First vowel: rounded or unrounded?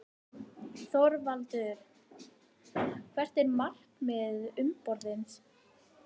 rounded